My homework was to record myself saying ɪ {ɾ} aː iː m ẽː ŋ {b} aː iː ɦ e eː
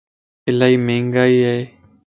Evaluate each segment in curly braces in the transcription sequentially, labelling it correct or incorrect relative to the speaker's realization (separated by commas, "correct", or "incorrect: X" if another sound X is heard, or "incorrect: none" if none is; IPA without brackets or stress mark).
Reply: incorrect: l, incorrect: ɡ